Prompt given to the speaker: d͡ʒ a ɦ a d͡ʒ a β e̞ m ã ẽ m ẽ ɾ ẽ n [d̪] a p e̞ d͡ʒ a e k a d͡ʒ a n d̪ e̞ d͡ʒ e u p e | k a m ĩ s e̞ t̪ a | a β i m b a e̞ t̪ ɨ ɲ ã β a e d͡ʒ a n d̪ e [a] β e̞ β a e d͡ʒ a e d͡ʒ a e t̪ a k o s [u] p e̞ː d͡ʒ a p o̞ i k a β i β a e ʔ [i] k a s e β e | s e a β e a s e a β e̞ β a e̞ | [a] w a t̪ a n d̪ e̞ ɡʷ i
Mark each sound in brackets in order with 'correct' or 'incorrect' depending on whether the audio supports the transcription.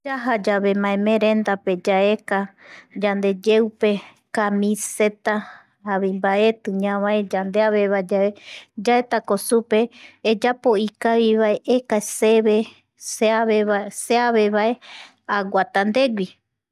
correct, correct, correct, incorrect, correct

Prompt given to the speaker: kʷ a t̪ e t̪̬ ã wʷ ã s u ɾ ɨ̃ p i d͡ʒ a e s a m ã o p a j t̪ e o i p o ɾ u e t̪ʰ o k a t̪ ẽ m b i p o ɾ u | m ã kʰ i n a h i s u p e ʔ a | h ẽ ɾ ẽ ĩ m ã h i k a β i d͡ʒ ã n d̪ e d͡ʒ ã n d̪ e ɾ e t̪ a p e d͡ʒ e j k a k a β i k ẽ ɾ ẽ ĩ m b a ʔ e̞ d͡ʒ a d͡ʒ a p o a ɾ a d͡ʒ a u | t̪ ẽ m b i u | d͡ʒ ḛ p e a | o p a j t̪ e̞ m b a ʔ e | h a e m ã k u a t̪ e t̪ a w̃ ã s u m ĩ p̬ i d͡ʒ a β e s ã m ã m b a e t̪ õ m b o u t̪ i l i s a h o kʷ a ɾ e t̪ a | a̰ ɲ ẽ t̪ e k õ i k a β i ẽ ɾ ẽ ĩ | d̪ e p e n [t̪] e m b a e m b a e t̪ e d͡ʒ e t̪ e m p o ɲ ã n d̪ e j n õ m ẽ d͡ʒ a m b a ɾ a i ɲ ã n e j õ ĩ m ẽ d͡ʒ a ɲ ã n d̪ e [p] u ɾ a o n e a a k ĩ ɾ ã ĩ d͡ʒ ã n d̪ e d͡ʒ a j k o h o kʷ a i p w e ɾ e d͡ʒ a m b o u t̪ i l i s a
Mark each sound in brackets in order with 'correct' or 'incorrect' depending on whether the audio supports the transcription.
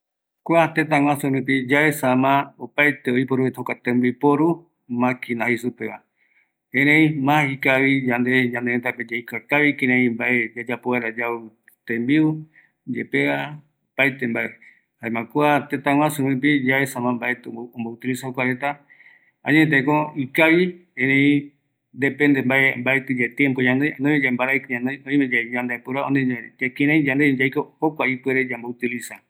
incorrect, correct

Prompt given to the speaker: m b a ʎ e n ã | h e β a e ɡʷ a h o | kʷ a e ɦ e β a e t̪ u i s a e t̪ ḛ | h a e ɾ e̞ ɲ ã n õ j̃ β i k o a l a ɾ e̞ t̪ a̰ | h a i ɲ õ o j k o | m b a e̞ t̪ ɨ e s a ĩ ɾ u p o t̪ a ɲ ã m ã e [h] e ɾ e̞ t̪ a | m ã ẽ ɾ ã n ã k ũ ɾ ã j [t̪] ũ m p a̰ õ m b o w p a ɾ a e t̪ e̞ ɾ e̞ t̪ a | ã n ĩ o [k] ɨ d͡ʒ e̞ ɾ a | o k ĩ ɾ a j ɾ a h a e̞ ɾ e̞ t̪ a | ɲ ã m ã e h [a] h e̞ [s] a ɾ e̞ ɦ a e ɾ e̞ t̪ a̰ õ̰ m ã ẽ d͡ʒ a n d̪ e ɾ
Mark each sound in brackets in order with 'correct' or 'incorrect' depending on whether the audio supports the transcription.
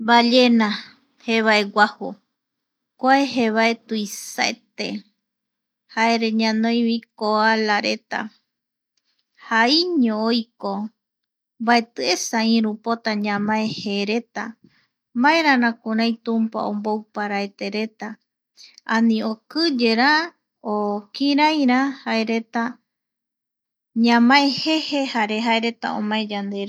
correct, correct, correct, incorrect, incorrect

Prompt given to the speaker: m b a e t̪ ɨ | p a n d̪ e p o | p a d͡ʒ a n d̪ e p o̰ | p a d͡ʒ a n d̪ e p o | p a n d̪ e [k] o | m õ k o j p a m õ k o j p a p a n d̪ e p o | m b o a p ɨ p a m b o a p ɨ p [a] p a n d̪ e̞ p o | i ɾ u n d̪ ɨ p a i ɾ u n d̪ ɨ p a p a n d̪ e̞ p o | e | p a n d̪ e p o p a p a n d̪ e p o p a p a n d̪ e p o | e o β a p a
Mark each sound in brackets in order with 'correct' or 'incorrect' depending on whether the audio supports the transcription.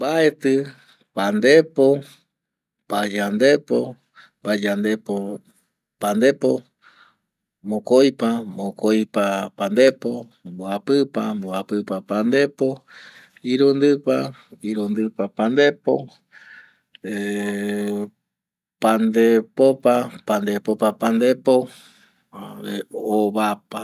incorrect, correct

